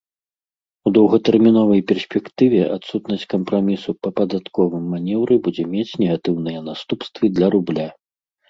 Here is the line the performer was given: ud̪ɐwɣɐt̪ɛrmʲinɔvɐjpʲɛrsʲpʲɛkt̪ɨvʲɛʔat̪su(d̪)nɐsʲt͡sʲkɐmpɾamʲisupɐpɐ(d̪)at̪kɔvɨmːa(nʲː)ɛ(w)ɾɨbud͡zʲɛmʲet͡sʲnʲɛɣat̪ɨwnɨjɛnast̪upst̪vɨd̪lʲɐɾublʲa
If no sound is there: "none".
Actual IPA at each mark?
t̪, d̪, nʲ, w

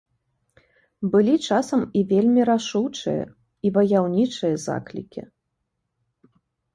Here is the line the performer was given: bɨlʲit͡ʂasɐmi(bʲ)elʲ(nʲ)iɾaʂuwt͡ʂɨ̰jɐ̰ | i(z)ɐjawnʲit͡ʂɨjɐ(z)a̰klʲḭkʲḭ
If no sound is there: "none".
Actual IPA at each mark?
vʲ, mʲ, v, z

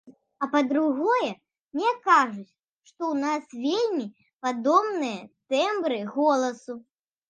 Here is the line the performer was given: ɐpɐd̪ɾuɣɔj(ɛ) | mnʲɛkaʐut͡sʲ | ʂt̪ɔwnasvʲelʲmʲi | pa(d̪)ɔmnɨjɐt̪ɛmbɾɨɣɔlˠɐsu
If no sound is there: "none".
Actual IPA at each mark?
ɛ, d̪

